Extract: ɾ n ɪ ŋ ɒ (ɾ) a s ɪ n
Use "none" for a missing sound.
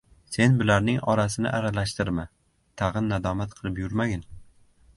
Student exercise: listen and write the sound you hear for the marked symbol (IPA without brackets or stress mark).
ɾ